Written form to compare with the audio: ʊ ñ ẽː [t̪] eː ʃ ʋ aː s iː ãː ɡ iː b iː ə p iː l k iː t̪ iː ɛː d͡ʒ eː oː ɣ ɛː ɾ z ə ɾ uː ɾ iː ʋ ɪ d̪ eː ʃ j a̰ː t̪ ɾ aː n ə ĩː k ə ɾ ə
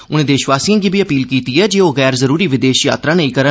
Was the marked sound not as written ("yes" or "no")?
yes